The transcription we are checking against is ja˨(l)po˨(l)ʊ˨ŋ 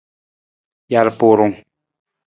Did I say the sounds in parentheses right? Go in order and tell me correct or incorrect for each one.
incorrect, incorrect

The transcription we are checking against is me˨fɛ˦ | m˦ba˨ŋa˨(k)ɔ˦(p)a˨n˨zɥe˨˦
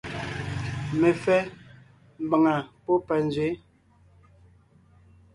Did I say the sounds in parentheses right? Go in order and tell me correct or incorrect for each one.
incorrect, correct

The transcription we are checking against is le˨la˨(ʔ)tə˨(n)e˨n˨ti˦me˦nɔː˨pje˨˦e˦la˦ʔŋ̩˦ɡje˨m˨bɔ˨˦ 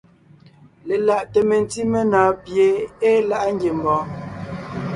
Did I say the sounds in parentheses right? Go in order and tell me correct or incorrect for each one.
correct, incorrect

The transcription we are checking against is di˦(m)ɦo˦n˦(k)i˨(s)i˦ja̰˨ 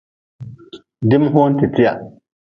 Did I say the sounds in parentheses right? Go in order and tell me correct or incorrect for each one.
correct, incorrect, incorrect

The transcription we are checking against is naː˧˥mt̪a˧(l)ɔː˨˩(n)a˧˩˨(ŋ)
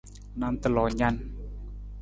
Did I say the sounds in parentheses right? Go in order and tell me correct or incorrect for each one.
correct, incorrect, incorrect

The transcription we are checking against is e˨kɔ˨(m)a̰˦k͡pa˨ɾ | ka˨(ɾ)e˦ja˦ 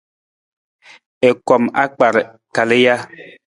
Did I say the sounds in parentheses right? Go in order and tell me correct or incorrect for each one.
correct, incorrect

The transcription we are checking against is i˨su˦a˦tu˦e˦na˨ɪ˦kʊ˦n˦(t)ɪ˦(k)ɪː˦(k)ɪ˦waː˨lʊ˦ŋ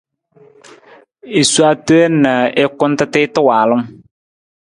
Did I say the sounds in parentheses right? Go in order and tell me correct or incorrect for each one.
correct, incorrect, incorrect

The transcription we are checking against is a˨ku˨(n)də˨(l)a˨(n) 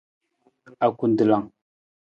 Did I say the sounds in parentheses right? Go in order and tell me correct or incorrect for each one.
correct, correct, incorrect

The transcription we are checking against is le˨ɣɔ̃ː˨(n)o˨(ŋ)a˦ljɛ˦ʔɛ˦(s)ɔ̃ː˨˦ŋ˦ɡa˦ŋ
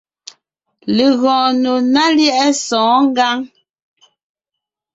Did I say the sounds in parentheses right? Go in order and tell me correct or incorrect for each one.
correct, incorrect, correct

